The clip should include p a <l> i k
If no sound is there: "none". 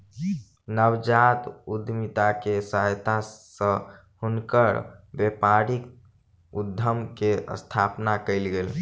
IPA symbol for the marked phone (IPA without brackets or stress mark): ɾ